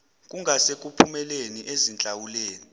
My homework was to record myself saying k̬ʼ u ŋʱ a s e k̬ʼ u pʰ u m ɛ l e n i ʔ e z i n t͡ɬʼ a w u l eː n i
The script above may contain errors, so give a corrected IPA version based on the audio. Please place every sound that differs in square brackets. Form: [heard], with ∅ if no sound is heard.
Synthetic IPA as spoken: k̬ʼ u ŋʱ a s e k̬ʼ u pʰ u m ɛ l e n i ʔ e z i n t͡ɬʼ a w u l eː n i